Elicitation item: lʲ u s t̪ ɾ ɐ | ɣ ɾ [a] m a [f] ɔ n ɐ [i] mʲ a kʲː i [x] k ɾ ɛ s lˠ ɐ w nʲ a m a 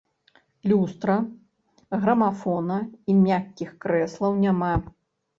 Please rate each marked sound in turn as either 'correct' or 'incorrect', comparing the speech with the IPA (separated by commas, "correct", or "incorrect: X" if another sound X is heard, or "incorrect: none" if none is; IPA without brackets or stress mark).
incorrect: ɐ, correct, correct, correct